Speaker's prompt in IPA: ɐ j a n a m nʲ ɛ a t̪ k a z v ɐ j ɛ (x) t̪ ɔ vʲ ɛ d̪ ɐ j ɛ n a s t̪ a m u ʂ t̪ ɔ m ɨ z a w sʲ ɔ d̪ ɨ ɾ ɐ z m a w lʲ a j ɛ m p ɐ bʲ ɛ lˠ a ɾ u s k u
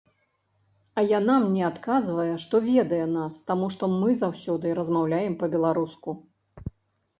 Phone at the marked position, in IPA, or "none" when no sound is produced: ʂ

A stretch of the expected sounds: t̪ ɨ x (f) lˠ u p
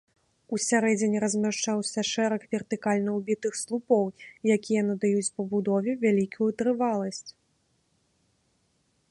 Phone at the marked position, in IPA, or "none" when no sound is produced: s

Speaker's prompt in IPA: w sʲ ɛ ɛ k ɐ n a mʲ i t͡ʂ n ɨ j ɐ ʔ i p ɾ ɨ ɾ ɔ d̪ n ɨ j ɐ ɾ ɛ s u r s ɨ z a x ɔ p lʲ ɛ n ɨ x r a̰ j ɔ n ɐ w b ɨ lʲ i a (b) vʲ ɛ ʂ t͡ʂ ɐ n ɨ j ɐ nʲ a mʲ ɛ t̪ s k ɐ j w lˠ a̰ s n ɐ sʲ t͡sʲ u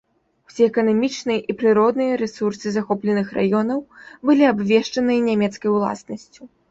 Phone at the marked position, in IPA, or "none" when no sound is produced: b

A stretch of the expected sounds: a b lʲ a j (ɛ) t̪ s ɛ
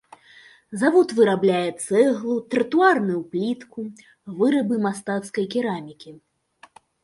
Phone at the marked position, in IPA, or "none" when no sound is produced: ɛ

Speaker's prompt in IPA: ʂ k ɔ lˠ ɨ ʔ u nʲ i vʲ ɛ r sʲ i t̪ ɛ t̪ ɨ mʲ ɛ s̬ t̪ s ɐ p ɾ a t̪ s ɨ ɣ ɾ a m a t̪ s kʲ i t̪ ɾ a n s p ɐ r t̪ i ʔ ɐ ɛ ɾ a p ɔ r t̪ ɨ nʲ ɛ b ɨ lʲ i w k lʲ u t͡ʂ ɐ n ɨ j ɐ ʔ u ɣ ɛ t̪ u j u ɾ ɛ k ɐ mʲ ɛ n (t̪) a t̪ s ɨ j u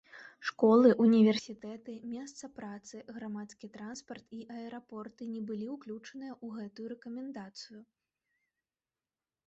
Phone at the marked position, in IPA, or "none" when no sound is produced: d̪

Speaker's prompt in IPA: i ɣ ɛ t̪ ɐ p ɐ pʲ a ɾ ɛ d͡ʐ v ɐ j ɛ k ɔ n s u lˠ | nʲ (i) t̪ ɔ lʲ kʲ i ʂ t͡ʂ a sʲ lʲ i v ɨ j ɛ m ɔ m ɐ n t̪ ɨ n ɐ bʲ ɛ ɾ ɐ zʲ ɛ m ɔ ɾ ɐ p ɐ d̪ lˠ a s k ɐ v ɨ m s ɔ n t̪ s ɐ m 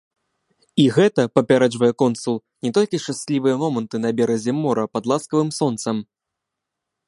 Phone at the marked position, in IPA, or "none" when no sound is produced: ɛ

